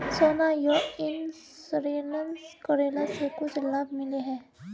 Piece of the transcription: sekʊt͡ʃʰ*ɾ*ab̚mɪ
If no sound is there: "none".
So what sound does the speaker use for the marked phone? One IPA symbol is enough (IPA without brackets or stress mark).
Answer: l